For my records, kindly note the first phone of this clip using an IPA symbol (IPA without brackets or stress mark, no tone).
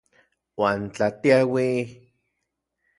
w